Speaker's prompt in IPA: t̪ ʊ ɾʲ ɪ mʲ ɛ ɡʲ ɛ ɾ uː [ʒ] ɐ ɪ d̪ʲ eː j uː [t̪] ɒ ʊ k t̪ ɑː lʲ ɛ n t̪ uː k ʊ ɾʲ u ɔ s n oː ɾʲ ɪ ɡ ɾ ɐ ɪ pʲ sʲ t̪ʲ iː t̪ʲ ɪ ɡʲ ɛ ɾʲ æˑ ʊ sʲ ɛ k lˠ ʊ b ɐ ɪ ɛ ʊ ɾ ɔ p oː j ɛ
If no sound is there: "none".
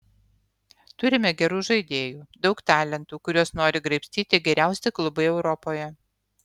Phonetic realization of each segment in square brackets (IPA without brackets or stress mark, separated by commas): ʒ, d̪